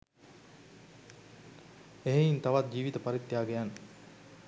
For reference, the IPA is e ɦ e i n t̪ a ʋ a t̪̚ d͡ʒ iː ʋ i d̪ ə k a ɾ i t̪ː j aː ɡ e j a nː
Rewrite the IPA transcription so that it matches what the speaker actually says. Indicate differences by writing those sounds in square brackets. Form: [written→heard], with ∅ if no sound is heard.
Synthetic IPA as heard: e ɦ e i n t̪ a ʋ a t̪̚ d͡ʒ iː ʋ i [d̪→t̪] ə [k→p] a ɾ i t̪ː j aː ɡ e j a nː